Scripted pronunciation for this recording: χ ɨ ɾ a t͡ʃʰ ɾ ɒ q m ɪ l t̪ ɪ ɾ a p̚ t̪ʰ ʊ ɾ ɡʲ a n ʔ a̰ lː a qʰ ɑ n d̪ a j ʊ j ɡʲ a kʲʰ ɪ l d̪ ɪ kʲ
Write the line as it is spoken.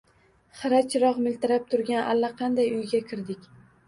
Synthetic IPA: χ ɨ ɾ a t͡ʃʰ ɾ ɒ q m ɪ l t̪ ɪ ɾ a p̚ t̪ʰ ʊ ɾ ɡʲ a n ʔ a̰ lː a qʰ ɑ n d̪ a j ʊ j ɡʲ a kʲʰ ɪ ɾ d̪ ɪ kʲ